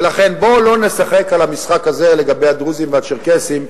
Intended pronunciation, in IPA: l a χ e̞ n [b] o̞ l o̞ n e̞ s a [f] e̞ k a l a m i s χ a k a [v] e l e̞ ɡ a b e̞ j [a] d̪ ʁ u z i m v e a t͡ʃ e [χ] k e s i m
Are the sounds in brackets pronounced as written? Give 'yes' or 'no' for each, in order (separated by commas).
yes, no, no, yes, no